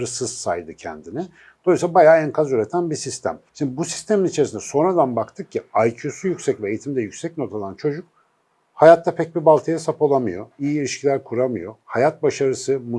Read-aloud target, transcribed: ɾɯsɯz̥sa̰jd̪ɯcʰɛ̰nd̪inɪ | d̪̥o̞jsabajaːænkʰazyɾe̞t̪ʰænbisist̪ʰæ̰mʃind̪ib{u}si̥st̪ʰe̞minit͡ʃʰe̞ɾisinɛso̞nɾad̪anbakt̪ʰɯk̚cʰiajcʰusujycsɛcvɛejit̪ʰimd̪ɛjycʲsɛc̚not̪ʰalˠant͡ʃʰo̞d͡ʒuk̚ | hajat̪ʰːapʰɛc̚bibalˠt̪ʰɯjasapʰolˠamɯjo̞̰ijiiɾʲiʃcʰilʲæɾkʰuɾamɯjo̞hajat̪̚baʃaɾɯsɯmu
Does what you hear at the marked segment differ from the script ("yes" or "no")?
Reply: no